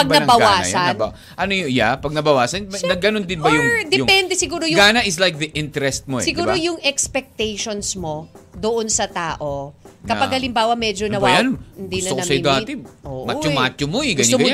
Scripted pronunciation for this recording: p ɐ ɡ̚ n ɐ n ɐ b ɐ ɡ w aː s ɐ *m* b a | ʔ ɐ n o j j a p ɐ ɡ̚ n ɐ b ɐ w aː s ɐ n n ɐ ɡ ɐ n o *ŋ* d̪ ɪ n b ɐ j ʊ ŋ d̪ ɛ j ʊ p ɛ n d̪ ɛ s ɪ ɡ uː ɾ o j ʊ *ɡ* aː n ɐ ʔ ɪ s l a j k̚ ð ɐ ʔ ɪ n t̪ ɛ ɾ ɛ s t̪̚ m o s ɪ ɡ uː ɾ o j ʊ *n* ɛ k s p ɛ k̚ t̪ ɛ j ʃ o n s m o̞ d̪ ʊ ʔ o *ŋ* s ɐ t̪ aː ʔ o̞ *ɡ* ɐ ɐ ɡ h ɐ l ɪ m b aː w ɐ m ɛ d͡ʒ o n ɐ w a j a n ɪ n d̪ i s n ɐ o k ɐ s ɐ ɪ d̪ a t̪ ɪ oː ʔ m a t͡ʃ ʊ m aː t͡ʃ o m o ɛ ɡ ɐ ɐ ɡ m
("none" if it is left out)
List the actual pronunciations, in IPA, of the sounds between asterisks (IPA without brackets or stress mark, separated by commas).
n, n, ɡ, ŋ, n, k